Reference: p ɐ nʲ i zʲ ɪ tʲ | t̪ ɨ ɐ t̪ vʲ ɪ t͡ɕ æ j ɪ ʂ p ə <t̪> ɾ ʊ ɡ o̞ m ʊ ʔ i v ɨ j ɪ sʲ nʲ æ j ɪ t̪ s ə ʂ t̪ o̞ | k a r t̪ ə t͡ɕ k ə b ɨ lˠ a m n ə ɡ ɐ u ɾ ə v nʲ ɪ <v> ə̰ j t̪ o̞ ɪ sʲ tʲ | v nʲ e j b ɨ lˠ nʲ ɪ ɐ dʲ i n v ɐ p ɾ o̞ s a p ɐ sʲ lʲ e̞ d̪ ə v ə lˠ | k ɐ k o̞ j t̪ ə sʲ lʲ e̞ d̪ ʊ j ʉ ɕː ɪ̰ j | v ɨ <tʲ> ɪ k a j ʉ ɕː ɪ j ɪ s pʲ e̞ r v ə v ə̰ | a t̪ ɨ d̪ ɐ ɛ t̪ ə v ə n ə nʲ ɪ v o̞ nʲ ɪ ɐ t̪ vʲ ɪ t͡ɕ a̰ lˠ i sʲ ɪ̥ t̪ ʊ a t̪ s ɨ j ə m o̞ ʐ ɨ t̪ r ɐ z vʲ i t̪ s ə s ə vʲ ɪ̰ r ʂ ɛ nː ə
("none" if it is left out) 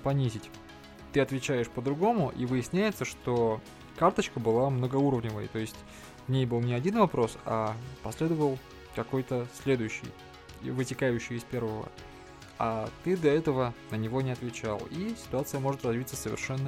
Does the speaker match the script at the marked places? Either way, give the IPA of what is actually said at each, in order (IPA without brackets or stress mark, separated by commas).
d̪, v, tʲ